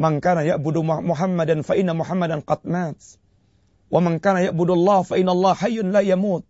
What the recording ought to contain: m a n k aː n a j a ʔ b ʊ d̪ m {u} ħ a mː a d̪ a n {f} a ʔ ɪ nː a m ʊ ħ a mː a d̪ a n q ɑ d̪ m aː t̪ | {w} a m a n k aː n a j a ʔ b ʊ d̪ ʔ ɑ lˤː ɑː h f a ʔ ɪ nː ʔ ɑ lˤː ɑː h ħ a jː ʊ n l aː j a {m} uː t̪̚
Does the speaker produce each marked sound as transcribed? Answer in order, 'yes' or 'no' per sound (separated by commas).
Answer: no, yes, yes, yes